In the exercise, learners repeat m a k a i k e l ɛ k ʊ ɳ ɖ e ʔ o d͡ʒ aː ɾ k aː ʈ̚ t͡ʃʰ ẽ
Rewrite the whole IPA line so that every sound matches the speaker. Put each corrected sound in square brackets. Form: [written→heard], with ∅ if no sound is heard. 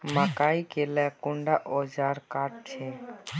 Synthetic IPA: m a k a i k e l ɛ k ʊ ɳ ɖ [e→a] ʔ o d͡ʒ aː ɾ k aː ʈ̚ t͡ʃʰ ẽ